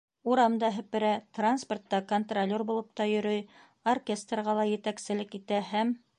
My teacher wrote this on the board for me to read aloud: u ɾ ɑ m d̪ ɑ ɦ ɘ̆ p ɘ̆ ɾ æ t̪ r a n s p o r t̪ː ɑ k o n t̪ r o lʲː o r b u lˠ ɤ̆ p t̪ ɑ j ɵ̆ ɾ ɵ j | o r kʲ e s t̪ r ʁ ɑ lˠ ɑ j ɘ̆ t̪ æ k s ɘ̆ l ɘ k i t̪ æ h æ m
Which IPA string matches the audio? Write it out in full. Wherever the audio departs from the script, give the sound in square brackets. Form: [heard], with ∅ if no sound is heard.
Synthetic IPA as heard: u ɾ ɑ m d̪ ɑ ɦ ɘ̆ p ɘ̆ ɾ æ t̪ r a n s p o r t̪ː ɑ k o n t̪ r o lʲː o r b u lˠ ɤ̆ p t̪ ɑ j ɵ̆ ɾ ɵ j | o r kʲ e s t̪ r ʁ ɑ lˠ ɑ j ɘ̆ t̪ æ k s ɘ̆ l ɘ k i t̪ æ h æ m